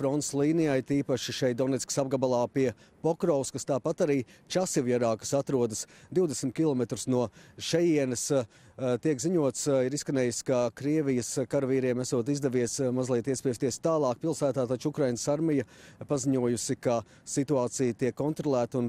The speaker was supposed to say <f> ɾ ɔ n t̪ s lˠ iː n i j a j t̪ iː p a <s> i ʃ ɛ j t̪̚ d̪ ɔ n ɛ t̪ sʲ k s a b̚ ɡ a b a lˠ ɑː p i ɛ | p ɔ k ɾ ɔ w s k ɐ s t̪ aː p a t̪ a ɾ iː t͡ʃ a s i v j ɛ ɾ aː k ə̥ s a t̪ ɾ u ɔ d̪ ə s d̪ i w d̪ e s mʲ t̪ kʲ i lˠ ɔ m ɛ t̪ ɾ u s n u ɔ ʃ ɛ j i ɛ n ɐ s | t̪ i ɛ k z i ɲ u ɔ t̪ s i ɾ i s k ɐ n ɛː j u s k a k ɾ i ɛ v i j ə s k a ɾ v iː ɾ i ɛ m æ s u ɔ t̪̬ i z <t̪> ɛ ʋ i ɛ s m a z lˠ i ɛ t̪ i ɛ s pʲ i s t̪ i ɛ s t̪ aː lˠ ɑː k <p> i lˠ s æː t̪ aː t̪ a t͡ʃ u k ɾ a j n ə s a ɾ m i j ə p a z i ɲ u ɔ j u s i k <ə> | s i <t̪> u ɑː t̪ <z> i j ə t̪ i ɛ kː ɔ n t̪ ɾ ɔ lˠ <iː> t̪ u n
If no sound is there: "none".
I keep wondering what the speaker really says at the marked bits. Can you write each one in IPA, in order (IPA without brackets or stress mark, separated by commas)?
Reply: f, ʃ, d̪, p, a, t̪, s, æː